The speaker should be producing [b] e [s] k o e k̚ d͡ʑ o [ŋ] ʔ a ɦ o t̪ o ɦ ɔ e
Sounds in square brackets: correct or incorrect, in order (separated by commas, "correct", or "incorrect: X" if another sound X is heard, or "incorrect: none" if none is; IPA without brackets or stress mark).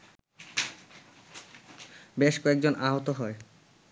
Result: correct, incorrect: ʃ, incorrect: n